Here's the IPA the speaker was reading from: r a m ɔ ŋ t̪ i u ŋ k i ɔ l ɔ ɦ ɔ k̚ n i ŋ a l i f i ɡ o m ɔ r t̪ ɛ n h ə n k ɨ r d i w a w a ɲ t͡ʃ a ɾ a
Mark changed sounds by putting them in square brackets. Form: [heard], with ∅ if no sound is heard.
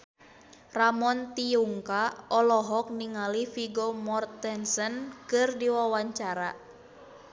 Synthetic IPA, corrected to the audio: r a m ɔ [n] t̪ i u ŋ k [a] ɔ l ɔ ɦ ɔ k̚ n i ŋ a l i f i ɡ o m ɔ r t̪ ɛ n [s] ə n k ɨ r d i w a w a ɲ t͡ʃ a ɾ a